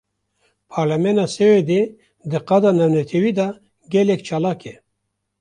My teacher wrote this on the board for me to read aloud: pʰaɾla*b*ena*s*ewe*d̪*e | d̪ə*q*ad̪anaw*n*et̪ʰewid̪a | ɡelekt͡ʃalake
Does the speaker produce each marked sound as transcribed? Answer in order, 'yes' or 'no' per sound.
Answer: no, yes, yes, yes, yes

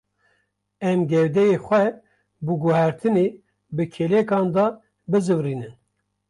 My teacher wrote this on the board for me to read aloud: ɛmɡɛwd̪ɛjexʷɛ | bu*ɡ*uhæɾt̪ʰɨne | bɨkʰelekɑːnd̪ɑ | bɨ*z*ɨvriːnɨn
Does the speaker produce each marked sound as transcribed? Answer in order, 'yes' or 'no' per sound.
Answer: yes, yes

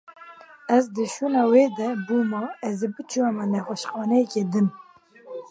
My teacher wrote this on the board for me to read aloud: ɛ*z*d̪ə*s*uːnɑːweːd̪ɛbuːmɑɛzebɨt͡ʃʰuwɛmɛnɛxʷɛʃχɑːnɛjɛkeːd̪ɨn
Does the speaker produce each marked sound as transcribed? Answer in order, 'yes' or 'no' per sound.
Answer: yes, no

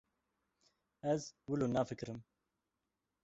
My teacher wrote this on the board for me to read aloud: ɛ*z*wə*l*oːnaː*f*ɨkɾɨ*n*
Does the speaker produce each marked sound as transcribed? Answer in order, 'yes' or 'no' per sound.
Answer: yes, yes, yes, no

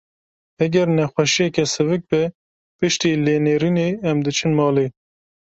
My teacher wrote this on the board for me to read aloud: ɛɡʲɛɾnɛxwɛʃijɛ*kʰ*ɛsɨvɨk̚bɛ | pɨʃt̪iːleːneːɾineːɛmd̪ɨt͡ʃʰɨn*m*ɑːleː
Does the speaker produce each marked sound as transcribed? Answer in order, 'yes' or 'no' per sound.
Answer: no, yes

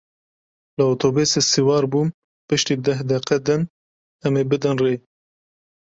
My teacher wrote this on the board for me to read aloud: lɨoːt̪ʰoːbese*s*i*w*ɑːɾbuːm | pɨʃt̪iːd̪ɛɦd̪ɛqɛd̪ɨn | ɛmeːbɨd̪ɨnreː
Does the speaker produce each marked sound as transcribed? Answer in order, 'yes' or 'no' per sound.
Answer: yes, yes

